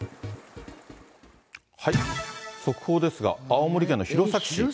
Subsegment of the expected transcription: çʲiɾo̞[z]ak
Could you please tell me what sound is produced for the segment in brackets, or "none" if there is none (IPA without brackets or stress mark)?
s